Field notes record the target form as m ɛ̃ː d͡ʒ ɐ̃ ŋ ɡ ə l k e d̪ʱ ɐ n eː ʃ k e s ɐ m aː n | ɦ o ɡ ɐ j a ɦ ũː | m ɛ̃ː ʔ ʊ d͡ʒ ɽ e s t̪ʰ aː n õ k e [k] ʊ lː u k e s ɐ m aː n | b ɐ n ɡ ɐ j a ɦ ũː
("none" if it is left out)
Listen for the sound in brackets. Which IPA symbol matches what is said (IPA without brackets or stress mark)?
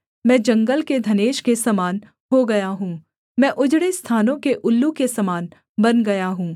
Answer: ʔ